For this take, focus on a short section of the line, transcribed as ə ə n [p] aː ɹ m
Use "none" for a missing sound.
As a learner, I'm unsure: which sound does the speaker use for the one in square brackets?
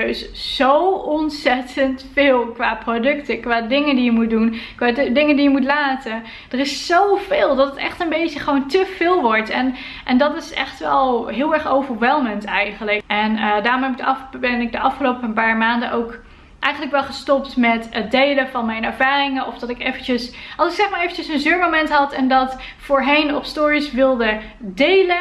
p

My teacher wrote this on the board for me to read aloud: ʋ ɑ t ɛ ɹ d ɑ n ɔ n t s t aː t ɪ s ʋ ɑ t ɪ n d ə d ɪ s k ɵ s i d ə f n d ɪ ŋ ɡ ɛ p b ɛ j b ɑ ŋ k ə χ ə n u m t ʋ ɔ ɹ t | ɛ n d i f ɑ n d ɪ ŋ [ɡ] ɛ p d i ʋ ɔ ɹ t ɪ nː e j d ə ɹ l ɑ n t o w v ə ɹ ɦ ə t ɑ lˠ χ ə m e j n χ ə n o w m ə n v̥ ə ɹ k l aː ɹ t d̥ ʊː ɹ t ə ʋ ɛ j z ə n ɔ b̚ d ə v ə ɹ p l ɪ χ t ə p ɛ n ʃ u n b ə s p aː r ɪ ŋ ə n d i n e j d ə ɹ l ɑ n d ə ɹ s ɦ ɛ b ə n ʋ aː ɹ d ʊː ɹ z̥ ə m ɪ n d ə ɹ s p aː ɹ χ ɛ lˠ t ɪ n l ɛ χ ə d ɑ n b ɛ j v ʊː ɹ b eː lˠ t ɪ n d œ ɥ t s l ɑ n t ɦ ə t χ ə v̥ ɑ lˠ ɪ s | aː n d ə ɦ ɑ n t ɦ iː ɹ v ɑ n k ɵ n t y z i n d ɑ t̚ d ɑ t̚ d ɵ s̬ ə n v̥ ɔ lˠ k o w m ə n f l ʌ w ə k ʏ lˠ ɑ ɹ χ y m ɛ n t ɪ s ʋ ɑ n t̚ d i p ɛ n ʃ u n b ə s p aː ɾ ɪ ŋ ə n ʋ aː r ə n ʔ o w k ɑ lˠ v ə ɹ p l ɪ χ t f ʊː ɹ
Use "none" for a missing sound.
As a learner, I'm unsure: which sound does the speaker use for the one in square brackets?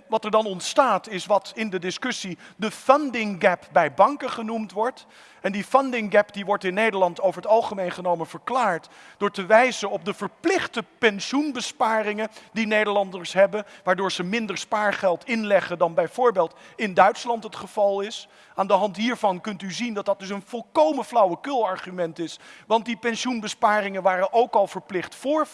ɡ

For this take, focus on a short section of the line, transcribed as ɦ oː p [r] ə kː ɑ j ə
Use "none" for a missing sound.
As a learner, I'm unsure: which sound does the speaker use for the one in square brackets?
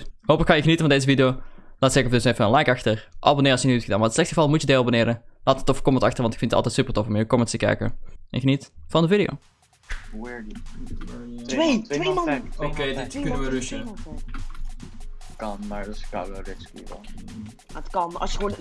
l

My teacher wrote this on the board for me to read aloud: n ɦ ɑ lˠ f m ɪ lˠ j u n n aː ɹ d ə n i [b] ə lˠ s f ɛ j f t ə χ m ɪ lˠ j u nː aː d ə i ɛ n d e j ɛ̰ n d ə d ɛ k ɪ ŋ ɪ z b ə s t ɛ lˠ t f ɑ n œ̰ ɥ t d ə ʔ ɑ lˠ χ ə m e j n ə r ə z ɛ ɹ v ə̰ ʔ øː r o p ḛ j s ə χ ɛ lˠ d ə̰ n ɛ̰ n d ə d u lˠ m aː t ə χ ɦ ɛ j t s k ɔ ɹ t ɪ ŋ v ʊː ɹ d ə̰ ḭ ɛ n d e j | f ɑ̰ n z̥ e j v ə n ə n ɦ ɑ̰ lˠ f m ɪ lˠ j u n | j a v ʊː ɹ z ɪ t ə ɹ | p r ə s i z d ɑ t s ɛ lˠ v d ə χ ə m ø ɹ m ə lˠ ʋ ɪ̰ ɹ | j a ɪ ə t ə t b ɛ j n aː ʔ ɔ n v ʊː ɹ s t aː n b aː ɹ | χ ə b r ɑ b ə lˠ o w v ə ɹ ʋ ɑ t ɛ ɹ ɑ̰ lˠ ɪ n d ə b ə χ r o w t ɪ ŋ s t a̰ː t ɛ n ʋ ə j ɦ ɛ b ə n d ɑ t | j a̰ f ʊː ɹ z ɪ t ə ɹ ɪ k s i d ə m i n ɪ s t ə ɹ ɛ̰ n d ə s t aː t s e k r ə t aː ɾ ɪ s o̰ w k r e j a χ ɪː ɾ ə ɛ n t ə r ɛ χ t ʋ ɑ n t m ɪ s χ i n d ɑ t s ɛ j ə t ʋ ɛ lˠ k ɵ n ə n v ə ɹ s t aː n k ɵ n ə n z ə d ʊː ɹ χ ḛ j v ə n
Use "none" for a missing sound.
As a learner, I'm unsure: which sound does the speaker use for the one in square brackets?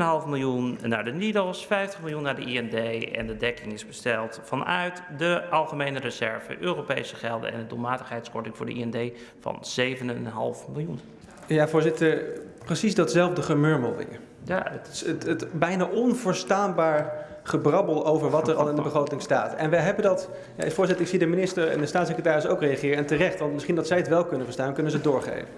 d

